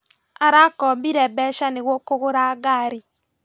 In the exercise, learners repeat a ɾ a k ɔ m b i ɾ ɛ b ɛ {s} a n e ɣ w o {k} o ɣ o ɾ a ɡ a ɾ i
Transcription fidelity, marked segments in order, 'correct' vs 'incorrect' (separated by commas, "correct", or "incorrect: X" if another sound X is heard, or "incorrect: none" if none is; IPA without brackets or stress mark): incorrect: ʃ, correct